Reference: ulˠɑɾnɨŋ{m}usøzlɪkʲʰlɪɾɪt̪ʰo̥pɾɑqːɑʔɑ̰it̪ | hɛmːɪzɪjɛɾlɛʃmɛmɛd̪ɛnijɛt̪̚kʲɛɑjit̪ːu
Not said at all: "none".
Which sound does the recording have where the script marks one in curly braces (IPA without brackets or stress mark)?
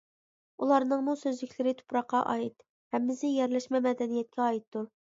m